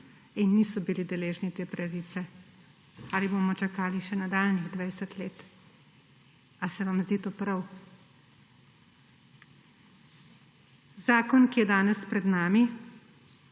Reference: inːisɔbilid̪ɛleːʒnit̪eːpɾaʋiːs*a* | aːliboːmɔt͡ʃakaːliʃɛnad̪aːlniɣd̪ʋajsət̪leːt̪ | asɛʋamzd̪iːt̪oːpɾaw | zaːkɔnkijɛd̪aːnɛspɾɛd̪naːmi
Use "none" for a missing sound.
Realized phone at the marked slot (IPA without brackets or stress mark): ɛ